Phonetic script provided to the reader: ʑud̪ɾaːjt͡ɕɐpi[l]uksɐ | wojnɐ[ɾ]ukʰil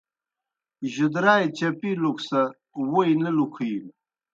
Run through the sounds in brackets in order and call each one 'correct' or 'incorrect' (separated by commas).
correct, incorrect